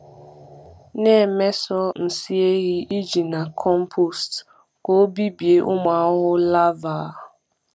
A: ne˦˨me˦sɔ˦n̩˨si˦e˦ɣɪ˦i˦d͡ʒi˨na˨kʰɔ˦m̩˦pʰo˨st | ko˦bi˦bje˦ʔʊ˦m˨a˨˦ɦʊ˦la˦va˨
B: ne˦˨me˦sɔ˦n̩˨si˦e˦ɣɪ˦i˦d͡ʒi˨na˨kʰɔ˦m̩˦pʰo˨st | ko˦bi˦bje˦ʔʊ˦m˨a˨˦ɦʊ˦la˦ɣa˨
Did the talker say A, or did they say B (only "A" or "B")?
A